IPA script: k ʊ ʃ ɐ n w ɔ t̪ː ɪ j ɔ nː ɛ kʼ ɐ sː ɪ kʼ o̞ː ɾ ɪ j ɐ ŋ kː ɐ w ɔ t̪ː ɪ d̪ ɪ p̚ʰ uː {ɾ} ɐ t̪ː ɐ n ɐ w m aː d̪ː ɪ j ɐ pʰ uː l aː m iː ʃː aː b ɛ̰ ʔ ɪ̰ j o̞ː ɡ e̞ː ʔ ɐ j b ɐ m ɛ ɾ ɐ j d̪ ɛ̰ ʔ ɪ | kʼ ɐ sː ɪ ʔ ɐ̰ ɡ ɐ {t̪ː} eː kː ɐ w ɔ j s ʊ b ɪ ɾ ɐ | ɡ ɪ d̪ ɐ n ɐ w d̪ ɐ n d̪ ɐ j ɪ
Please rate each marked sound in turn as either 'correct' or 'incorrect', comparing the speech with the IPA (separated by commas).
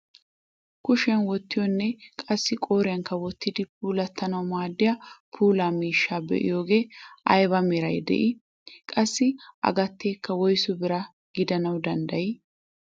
incorrect, correct